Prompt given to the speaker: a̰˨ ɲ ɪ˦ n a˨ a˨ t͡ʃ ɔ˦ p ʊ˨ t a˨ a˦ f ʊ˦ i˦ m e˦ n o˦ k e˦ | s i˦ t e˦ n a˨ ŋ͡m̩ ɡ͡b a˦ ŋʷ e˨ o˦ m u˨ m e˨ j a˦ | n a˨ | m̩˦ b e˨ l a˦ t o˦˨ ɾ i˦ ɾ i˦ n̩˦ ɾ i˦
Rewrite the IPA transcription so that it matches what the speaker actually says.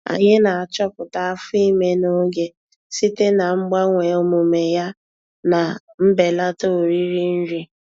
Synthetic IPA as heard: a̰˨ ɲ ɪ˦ n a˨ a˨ t͡ʃ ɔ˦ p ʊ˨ t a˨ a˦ f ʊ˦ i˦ m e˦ n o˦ ɡ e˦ | s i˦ t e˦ n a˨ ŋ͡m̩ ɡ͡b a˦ ŋʷ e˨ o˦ m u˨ m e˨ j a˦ | n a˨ | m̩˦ b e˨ l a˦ t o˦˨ ɾ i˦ ɾ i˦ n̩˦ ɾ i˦

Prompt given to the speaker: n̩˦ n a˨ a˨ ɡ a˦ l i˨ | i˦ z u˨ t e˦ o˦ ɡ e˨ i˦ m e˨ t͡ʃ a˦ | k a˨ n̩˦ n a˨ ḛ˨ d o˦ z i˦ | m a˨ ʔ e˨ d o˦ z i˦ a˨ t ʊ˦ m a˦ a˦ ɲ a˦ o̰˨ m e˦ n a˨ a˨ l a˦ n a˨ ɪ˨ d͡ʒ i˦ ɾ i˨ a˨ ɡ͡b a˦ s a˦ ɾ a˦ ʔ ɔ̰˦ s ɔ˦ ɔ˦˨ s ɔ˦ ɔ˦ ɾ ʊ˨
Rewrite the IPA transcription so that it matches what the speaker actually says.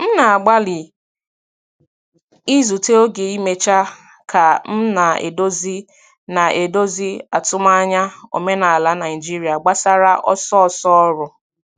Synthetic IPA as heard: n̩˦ n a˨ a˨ ɡ͡b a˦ l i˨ | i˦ z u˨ t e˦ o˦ ɡ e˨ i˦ m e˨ t͡ʃ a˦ | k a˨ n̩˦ n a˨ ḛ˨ d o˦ z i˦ | n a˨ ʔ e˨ d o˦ z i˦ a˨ t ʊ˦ m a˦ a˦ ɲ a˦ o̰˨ m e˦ n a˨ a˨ l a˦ n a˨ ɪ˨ d͡ʒ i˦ ɾ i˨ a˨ ɡ͡b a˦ s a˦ ɾ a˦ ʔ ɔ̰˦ s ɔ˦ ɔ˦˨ s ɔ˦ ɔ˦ ɾ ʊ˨

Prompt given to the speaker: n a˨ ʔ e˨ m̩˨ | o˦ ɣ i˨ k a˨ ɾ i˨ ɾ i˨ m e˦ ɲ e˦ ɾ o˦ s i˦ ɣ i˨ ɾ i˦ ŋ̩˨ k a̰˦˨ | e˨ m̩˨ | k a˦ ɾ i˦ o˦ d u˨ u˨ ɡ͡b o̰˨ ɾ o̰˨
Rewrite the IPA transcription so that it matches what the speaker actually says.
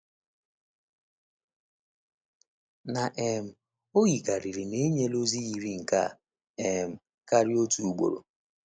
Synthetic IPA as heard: n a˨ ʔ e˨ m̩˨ | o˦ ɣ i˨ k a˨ ɾ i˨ ɾ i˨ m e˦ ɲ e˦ l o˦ z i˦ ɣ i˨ ɾ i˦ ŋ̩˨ k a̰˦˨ | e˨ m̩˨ | k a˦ ɾ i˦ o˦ t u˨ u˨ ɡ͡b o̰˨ ɾ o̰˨

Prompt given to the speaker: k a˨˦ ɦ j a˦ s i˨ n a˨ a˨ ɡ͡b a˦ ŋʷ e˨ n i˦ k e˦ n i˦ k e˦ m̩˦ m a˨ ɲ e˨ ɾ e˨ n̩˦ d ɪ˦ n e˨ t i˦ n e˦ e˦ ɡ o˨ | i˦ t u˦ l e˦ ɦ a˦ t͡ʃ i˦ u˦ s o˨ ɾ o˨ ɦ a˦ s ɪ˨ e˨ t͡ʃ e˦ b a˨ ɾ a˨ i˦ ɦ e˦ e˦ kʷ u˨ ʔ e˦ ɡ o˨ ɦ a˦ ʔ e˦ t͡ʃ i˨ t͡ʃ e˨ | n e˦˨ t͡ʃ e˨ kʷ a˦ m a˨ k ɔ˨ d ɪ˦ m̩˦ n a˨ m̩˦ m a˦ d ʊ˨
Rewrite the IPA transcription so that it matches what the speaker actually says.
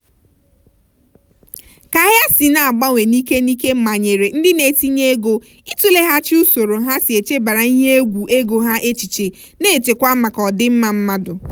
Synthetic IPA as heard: k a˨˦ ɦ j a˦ s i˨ n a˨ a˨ ɡ͡b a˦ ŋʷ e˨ n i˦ k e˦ n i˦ k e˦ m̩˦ m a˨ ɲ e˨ ɾ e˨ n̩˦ d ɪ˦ n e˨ t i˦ ɲ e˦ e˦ ɡ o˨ | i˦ t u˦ l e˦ ɦ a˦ t͡ʃ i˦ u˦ s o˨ ɾ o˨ ɦ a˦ s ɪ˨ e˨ t͡ʃ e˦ b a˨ ɾ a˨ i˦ ɦ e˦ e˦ ɡʷ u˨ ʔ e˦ ɡ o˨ ɦ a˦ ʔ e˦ t͡ʃ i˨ t͡ʃ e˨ | n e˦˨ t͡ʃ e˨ kʷ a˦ m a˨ k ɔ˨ d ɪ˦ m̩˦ m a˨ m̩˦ m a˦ d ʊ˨

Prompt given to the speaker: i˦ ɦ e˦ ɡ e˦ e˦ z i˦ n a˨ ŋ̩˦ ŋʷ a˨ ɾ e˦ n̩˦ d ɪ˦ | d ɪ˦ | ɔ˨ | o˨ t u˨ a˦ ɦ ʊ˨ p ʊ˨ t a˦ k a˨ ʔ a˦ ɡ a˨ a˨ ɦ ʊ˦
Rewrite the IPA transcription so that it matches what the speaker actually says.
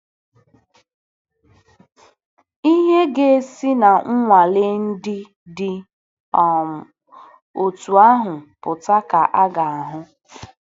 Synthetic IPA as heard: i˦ ɦ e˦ ɡ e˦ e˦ s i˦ n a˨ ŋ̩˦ ŋʷ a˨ l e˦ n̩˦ d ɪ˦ | d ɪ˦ | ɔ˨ | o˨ t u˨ a˦ ɦ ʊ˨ p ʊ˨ t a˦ k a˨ ʔ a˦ ɡ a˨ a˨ ɦ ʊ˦

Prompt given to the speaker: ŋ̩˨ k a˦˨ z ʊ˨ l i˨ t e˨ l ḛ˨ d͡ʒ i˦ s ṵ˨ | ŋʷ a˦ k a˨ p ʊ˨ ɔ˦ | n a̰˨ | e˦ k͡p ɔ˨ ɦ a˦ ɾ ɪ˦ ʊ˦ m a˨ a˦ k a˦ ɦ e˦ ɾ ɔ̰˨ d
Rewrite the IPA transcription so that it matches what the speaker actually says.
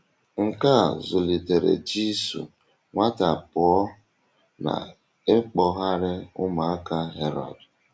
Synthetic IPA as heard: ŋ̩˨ k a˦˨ z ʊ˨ l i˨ t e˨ ɾ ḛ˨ d͡ʒ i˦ s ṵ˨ | ŋʷ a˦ t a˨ p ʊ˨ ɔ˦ | n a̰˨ | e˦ k͡p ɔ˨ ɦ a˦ ɾ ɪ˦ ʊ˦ m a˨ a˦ k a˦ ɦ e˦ ɾ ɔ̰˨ d

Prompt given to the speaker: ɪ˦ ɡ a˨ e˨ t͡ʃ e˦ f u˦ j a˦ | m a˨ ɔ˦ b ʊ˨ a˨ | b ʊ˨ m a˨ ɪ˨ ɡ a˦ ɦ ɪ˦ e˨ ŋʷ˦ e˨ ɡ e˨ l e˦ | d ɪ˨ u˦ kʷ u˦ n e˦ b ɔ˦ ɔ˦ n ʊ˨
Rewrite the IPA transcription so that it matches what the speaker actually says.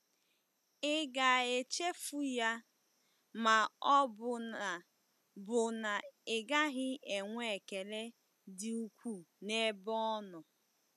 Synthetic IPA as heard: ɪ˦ ɡ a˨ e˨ t͡ʃ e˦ f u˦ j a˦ | m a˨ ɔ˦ b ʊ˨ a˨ | b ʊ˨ n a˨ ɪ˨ ɡ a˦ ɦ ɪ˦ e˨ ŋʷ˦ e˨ k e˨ l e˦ | d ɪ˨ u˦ kʷ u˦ n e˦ b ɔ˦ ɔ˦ n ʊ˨

